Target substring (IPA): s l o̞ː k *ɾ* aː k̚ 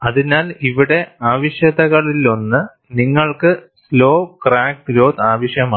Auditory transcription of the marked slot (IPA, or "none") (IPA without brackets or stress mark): r